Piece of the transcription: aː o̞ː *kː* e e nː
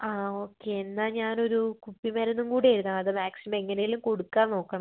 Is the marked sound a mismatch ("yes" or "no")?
no